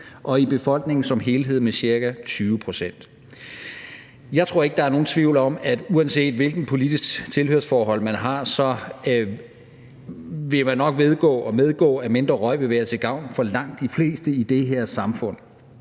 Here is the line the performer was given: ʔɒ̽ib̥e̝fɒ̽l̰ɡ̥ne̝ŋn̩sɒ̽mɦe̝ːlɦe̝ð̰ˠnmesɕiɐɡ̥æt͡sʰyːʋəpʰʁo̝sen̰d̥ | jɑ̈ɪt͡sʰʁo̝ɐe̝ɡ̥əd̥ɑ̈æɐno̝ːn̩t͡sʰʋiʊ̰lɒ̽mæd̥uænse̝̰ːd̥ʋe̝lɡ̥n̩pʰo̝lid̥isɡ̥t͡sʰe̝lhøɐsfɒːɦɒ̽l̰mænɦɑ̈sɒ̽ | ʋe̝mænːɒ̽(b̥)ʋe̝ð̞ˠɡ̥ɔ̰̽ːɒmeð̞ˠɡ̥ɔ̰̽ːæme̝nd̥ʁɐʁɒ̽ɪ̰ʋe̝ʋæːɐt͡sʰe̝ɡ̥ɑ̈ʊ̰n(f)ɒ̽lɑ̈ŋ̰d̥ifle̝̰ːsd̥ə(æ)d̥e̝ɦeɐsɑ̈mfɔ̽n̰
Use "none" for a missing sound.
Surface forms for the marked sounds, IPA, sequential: ɡ̥, f, i

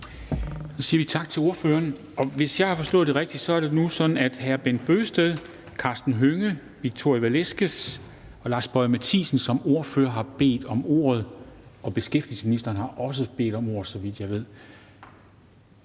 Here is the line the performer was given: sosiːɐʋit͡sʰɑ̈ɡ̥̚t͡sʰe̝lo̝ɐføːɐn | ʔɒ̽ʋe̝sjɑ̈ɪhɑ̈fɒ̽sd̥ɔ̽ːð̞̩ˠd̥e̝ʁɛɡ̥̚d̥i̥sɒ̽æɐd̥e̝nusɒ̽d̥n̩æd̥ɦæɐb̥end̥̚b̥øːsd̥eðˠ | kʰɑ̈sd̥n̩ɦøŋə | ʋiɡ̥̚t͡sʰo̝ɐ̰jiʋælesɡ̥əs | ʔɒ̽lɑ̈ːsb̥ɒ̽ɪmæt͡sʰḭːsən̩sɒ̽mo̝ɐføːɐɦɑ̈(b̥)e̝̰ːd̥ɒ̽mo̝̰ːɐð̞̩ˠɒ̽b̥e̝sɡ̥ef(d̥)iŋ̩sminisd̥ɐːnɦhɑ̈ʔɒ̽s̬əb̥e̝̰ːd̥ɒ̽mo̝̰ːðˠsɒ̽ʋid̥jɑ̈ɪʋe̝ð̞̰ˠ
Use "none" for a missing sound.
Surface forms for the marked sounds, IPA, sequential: b̥, d̥

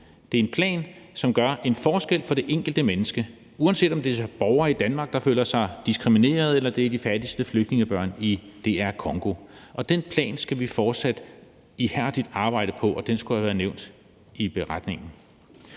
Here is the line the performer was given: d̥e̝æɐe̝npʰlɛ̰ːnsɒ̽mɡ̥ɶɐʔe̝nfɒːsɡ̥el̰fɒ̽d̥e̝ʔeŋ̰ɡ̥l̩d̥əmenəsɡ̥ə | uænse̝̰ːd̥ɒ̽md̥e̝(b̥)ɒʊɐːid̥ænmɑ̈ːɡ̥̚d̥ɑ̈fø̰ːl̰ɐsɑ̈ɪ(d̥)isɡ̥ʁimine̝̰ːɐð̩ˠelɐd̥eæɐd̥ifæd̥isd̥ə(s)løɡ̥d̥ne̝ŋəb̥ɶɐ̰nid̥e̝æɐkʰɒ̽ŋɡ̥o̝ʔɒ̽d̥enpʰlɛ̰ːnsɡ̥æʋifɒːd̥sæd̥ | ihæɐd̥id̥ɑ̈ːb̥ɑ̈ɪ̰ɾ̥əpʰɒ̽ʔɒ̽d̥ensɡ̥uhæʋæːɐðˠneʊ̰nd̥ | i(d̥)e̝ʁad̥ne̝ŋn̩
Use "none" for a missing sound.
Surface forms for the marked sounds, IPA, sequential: b̥, d̥, f, b̥

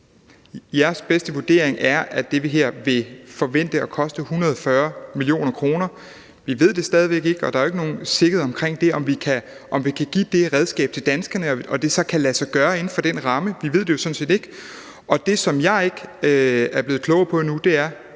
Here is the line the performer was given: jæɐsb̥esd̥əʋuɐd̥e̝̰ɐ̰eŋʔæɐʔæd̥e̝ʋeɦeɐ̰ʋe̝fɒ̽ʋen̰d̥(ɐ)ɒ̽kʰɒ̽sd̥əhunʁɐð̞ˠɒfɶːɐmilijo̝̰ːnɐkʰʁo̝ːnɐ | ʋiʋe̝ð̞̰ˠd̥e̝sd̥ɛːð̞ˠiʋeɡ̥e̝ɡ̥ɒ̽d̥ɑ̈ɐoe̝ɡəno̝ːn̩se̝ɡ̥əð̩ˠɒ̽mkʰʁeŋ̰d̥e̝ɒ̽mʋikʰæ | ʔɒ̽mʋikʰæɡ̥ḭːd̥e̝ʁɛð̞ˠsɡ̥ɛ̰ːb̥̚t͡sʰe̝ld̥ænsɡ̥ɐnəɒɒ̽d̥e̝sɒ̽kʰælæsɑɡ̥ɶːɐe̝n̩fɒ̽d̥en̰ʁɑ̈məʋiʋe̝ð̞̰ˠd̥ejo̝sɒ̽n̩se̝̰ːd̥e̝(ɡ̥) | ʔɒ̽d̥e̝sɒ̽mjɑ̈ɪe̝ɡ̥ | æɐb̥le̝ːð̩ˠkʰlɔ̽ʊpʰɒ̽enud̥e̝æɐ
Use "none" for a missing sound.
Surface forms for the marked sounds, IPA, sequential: ə, ɡ̥

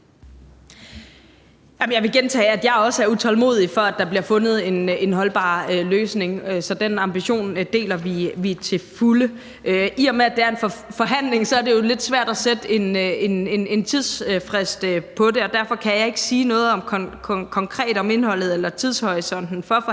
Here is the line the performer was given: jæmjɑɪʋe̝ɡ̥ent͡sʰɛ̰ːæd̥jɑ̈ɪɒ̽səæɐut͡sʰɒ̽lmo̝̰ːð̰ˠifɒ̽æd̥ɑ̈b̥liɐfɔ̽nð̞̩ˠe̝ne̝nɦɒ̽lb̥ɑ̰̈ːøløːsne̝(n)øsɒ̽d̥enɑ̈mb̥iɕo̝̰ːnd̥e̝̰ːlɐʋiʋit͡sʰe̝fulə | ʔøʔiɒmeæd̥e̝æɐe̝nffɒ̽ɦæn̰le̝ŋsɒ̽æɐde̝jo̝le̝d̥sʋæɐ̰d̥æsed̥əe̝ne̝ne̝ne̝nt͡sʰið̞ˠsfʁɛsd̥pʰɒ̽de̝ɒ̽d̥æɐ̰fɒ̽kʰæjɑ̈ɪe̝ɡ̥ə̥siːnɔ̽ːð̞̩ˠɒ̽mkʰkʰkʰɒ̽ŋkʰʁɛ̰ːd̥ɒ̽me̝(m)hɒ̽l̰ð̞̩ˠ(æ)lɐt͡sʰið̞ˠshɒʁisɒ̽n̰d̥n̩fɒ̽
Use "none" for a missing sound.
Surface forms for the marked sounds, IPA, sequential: ŋ, n, e

